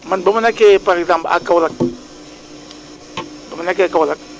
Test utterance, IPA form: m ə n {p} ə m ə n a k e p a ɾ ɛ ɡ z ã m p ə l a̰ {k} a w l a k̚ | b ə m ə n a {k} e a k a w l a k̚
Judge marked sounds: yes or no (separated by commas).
no, yes, yes